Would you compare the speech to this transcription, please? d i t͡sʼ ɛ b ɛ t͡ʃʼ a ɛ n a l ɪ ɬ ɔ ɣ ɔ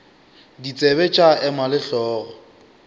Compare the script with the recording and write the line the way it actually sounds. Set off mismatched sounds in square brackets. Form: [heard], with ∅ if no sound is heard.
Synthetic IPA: d i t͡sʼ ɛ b ɛ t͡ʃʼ a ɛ [m] a l ɪ ɬ [ɔː] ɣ ɔ